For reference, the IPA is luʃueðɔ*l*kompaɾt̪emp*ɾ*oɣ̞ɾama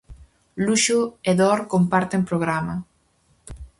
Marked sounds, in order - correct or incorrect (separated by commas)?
incorrect, correct